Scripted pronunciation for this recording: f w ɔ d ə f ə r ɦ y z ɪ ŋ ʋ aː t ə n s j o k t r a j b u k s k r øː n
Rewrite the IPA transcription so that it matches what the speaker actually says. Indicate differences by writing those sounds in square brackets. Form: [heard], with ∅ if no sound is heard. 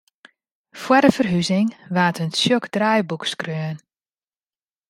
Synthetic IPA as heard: f w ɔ d ə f ə r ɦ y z ɪ ŋ ʋ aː t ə n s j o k [d] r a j b u k s k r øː n